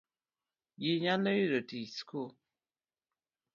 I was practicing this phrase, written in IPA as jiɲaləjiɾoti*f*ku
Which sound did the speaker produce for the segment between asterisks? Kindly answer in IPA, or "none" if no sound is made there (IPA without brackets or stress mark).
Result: s